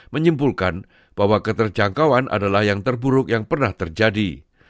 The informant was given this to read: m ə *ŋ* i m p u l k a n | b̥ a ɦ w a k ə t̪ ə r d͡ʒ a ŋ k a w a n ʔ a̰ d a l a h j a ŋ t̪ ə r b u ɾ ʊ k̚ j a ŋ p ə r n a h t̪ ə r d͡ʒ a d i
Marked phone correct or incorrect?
incorrect: ɲ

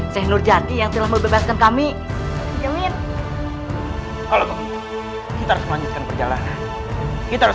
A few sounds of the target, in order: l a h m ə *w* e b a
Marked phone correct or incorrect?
incorrect: b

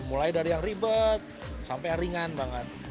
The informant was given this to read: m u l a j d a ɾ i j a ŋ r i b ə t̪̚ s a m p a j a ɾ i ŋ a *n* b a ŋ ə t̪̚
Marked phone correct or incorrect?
correct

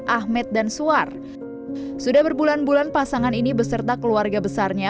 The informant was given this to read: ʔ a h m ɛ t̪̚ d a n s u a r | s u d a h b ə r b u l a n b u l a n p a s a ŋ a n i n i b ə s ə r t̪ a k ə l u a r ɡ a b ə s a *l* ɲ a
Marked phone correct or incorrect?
incorrect: r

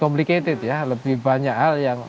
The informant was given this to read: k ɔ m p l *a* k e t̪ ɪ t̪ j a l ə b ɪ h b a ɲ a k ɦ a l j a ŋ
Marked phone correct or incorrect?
incorrect: i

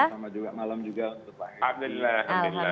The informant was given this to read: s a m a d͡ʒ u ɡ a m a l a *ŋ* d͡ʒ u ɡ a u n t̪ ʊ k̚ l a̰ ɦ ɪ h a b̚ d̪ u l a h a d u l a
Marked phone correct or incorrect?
incorrect: m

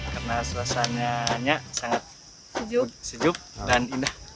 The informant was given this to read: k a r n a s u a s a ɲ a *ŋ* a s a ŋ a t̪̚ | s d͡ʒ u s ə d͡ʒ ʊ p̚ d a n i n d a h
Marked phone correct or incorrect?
incorrect: ɲ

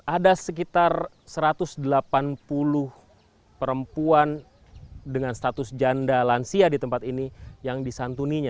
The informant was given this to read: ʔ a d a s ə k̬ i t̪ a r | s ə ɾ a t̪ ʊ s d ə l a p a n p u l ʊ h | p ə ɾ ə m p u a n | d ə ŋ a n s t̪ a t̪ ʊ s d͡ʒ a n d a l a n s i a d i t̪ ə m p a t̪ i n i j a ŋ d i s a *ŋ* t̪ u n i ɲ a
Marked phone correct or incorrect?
incorrect: n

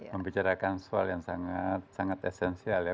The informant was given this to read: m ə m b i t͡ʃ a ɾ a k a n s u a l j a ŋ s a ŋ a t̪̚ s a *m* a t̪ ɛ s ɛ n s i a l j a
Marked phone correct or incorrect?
incorrect: ŋ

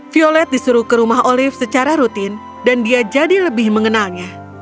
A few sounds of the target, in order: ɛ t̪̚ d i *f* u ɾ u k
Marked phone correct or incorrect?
incorrect: s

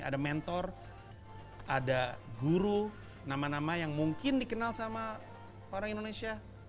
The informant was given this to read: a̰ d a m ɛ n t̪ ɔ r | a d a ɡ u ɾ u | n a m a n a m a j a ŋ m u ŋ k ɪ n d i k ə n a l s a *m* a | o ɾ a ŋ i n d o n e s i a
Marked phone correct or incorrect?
correct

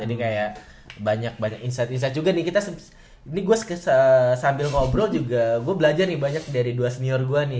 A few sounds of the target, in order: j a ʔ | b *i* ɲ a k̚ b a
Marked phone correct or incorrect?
incorrect: a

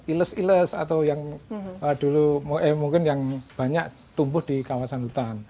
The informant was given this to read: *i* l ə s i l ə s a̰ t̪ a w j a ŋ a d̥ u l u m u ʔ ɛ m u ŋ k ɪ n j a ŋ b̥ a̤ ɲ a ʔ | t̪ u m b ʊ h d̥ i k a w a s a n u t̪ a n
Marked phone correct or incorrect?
correct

